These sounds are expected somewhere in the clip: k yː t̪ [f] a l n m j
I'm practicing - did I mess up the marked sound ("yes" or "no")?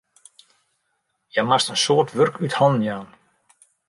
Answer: yes